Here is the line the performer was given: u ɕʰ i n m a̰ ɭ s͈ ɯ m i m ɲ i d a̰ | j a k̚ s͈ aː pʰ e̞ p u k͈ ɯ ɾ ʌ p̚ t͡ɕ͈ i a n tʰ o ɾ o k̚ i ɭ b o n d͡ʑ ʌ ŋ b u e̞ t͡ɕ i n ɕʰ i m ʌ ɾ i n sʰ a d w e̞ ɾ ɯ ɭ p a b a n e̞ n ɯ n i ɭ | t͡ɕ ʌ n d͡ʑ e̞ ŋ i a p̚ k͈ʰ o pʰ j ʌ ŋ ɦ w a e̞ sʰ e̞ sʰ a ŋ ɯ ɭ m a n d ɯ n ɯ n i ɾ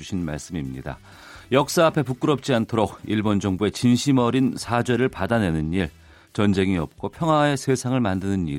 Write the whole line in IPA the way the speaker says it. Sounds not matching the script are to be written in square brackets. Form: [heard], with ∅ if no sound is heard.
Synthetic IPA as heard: u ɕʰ i n m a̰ ɭ s͈ ɯ m i m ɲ i d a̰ | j [ʌ] k̚ s͈ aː pʰ e̞ p u k͈ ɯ ɾ ʌ p̚ t͡ɕ͈ i a n tʰ o ɾ o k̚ i ɭ b o n d͡ʑ ʌ ŋ b u e̞ t͡ɕ i n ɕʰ i m ʌ ɾ i n sʰ a [d͡ʑ] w e̞ ɾ ɯ ɭ p a [d] a n e̞ n ɯ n i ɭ | t͡ɕ ʌ n d͡ʑ e̞ ŋ i [ʌ] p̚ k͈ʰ o pʰ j ʌ ŋ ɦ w a e̞ sʰ e̞ sʰ a ŋ ɯ ɭ m a n d ɯ n ɯ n i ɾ